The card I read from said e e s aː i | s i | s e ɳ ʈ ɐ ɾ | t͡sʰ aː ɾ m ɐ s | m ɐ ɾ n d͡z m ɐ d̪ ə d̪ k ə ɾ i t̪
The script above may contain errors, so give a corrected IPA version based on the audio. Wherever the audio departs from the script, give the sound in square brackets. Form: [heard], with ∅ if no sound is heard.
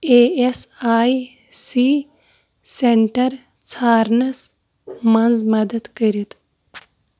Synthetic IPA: e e s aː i | s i | s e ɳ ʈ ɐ ɾ | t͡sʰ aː ɾ [n] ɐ s | m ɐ [∅] n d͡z m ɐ d̪ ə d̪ k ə ɾ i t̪

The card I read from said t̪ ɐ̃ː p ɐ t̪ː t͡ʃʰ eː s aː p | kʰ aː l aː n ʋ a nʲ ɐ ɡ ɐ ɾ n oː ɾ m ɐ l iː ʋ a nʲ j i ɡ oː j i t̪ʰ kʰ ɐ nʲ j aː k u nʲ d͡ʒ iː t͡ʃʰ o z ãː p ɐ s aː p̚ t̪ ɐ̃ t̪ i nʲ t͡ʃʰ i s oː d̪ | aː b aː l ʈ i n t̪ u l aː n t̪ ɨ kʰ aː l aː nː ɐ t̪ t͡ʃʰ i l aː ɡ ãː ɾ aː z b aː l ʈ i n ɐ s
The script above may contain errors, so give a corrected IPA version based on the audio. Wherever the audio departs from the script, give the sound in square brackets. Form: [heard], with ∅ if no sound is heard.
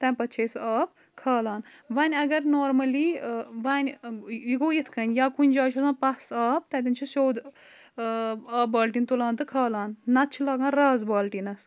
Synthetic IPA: t̪ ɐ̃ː p ɐ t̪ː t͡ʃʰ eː s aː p | kʰ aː l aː n ʋ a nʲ ɐ ɡ ɐ ɾ n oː ɾ m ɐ l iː ʋ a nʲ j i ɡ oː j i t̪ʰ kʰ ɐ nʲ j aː k u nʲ d͡ʒ [aː] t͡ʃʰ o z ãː p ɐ s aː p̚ t̪ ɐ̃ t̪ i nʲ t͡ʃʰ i s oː d̪ | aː b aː l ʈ i n t̪ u l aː n t̪ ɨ kʰ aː l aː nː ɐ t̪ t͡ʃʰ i l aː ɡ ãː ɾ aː z b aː l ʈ i n ɐ s

